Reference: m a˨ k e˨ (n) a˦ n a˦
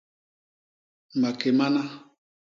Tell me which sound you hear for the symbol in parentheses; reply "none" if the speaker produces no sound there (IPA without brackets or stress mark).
m